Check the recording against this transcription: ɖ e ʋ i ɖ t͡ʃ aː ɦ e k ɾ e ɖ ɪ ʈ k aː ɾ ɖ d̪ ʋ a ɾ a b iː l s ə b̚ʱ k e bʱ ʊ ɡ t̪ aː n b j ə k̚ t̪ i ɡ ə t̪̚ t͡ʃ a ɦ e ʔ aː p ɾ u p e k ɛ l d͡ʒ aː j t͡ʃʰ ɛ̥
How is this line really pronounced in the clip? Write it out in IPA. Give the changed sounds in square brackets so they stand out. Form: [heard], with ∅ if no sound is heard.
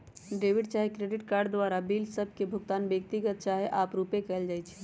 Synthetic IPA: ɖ e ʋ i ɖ t͡ʃ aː ɦ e k ɾ e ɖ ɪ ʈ k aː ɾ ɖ d̪ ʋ a ɾ a b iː l s ə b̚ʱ k e bʱ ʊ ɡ t̪ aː n b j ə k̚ t̪ i ɡ ə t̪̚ t͡ʃ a ɦ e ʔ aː p ɾ u p e k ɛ l d͡ʒ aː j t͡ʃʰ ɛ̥